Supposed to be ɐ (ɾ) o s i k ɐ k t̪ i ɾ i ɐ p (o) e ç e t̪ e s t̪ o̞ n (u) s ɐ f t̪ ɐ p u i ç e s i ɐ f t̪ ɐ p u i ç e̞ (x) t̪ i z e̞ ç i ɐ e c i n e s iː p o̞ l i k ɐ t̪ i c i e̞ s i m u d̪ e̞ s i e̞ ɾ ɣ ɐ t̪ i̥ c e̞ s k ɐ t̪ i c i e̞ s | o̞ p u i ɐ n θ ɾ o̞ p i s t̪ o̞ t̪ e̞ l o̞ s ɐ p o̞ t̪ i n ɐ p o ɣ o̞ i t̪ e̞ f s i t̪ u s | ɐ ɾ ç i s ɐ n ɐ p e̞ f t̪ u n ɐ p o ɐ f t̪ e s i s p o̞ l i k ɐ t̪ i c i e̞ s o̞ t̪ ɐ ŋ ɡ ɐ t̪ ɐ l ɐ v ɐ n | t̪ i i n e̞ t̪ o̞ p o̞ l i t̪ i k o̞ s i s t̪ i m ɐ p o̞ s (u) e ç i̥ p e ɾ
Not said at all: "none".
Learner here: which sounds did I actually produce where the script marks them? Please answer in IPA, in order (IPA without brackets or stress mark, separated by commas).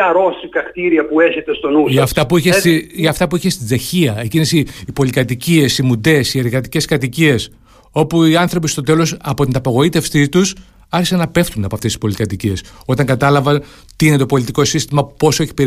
ɾ, u, u, s, o